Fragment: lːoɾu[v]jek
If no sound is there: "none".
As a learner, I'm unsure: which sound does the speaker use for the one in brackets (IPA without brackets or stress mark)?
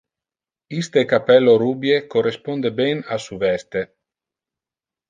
b